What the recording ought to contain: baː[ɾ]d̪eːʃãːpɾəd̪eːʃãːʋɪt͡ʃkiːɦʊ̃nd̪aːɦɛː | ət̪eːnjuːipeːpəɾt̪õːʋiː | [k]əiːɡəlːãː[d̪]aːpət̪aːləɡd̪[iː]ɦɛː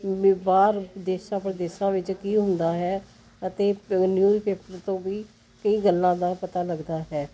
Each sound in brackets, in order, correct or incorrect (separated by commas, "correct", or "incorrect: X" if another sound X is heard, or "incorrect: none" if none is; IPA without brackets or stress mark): correct, correct, correct, incorrect: aː